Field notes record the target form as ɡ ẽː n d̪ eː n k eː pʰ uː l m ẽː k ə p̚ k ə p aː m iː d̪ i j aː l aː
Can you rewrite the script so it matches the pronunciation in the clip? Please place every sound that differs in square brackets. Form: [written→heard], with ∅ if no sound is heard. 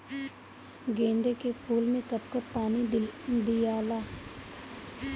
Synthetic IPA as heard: ɡ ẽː n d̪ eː [n→∅] k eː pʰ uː l m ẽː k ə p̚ k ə p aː [m→n] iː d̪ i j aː l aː